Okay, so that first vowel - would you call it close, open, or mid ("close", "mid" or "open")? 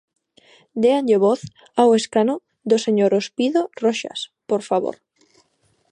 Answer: mid